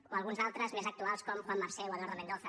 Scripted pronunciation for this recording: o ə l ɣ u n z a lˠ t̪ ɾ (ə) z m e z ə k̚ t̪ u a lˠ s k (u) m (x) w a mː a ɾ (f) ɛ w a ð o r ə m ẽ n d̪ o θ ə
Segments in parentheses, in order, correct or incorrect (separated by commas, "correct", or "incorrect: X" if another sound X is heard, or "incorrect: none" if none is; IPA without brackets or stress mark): correct, incorrect: ɔ, correct, incorrect: s